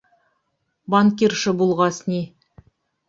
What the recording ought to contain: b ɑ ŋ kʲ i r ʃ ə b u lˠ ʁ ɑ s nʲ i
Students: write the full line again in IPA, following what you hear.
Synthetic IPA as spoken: b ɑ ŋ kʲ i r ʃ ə b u lˠ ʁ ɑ s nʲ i